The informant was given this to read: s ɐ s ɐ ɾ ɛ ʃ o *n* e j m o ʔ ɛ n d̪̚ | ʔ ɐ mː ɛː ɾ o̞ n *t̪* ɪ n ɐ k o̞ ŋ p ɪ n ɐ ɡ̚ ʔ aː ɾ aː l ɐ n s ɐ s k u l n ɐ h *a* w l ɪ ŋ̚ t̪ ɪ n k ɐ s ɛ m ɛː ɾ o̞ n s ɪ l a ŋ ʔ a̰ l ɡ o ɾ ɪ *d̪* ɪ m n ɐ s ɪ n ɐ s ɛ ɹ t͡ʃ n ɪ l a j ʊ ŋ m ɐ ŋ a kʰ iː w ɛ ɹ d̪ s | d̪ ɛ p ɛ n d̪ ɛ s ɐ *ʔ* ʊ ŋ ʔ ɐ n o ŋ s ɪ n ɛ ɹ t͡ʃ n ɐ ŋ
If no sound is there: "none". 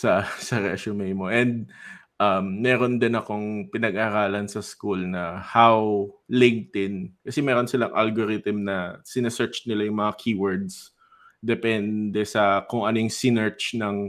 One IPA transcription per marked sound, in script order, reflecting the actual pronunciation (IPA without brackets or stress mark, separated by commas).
m, d̪, a, t̪, k